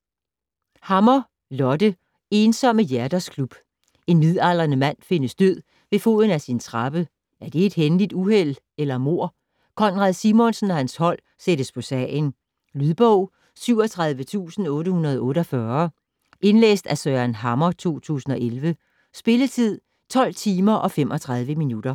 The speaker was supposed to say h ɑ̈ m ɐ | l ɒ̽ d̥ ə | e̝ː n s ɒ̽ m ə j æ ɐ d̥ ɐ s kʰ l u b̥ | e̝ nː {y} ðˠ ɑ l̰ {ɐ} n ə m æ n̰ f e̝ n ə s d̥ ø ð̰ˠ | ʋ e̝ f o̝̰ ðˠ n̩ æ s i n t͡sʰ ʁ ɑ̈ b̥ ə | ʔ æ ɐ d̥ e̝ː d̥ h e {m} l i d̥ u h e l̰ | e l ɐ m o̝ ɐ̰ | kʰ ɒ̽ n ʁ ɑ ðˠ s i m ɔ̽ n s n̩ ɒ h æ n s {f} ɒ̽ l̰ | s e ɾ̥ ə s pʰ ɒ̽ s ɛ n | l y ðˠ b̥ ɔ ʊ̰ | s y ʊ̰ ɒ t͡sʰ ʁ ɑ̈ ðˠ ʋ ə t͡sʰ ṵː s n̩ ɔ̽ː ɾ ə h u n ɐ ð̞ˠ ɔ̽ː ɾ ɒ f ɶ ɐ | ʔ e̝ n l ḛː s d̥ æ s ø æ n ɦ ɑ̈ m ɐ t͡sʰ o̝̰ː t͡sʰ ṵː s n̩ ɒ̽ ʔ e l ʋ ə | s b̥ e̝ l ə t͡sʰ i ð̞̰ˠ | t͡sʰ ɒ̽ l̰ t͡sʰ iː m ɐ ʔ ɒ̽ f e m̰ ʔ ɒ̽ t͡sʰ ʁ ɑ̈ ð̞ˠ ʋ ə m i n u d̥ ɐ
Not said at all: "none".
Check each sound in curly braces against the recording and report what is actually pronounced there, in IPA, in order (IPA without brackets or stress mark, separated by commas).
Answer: i, ɐ, n, h